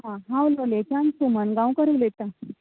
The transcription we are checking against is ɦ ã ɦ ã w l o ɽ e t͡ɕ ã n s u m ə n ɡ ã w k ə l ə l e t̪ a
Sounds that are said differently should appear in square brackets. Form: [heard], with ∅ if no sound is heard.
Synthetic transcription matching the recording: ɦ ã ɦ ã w l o [l] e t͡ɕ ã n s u m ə n ɡ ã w k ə [ɾ] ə l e t̪ a